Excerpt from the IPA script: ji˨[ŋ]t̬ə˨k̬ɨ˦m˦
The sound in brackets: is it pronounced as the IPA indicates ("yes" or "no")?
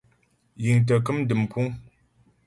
yes